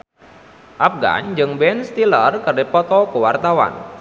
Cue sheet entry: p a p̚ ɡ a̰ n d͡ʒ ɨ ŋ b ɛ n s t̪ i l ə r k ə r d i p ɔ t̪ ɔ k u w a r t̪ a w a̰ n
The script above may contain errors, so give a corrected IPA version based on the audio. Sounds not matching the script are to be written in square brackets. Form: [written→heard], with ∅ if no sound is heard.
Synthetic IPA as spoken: [p→ʔ] a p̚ ɡ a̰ n d͡ʒ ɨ ŋ b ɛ n s t̪ i l ə r k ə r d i p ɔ t̪ ɔ k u w a r t̪ a w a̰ n